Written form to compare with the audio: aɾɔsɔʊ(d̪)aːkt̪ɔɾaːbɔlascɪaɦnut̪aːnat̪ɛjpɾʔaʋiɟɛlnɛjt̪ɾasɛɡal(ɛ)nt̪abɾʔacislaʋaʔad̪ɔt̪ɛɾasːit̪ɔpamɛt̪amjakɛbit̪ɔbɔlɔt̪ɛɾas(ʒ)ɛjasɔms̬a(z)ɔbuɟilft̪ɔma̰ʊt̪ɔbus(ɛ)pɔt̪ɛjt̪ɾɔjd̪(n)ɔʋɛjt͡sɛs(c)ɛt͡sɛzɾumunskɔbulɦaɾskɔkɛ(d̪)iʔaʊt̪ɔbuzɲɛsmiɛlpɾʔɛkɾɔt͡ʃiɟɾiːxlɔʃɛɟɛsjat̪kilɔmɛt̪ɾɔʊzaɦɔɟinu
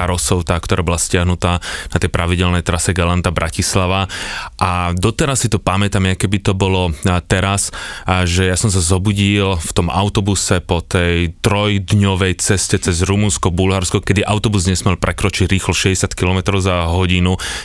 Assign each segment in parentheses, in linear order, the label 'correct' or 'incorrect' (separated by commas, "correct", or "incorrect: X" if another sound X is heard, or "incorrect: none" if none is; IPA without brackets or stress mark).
incorrect: t̪, incorrect: a, correct, correct, correct, incorrect: ɲ, correct, correct